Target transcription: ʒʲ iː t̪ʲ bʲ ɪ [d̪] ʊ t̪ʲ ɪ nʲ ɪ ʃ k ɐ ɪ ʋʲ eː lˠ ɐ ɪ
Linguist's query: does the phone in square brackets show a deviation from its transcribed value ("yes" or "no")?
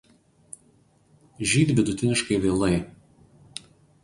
no